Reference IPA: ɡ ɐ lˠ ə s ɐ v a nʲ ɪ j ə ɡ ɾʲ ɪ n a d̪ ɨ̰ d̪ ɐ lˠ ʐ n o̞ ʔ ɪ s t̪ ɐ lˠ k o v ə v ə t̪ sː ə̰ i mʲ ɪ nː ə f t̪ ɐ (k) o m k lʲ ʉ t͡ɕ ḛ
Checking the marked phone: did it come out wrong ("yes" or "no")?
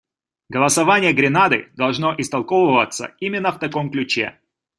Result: no